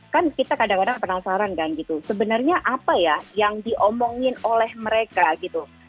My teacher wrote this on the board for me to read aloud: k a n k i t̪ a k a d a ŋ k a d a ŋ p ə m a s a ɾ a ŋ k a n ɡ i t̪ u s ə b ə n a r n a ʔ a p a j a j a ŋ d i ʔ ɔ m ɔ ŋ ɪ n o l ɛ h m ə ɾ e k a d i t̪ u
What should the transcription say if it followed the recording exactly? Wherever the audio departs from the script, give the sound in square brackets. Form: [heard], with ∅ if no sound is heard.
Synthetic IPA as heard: k a n k i t̪ a k a d a ŋ k a d a ŋ p ə [n] a s a ɾ a [n] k a n ɡ i t̪ u s ə b ə n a r [ɲ] a ʔ a p a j a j a ŋ d i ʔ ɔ m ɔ ŋ ɪ n o l ɛ h m ə ɾ e k a [ɡ] i t̪ u